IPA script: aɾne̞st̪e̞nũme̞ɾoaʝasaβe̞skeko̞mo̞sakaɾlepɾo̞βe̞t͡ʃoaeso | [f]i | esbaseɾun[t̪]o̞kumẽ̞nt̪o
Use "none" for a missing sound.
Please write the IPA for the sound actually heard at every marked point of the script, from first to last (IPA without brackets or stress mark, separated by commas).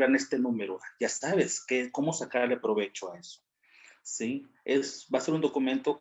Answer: s, d̪